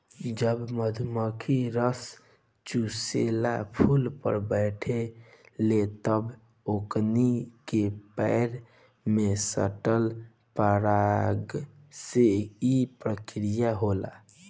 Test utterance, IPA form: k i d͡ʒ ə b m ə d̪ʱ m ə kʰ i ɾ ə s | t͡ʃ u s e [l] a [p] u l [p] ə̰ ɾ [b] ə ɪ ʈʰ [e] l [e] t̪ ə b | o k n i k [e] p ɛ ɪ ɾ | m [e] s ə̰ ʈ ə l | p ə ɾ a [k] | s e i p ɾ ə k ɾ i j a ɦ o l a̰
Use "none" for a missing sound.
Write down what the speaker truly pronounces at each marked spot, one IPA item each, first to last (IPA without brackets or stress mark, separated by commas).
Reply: l, pʰ, p, b, e, e, e, e, ɡ